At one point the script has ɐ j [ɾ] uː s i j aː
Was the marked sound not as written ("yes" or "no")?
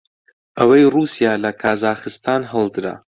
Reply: yes